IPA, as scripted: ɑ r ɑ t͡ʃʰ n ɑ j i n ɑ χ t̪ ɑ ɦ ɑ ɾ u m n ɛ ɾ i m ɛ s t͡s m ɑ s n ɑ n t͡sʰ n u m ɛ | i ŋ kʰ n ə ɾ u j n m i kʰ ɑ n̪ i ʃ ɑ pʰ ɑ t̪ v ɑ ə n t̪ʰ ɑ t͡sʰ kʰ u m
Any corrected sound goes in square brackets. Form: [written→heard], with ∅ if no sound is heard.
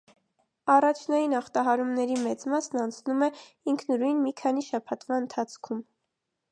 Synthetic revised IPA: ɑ r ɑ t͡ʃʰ n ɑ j i n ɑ χ t̪ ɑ ɦ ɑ ɾ u m n ɛ ɾ i m ɛ [s→∅] t͡s m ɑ s n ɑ n t͡sʰ n u m ɛ | i ŋ kʰ n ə ɾ u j n m i kʰ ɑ n̪ i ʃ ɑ pʰ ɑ t̪ v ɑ ə n t̪ʰ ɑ t͡sʰ kʰ u m